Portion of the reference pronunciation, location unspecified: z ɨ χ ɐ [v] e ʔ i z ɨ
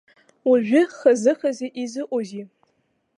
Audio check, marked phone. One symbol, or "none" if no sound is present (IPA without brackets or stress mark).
z